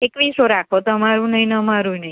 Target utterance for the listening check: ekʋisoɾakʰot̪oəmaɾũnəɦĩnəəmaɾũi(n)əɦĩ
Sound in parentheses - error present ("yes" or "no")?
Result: no